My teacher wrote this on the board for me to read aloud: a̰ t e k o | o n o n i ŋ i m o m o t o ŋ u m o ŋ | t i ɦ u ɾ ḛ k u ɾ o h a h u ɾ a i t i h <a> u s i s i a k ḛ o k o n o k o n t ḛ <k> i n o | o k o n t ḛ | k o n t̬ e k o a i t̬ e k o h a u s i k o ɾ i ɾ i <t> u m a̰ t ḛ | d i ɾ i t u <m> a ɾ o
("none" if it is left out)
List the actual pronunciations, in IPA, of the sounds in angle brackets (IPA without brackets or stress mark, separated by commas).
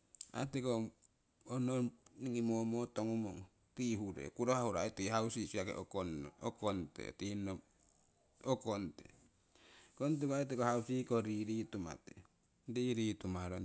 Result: a, t, t, m